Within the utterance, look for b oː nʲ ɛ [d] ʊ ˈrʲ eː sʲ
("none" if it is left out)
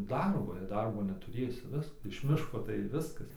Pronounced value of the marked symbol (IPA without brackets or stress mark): t